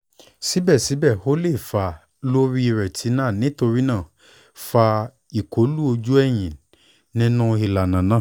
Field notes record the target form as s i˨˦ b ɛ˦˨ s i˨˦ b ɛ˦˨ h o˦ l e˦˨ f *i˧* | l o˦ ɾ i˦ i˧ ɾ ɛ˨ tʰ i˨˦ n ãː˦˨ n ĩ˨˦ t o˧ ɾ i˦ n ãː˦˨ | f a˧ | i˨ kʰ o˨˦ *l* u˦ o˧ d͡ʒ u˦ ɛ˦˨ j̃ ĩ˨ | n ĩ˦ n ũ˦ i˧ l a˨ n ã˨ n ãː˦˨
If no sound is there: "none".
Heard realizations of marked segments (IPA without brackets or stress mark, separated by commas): a˧, l